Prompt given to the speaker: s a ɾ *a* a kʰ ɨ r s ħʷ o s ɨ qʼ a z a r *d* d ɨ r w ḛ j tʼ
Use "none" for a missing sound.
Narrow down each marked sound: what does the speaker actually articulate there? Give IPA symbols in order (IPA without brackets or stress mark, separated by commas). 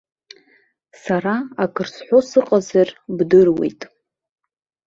a, b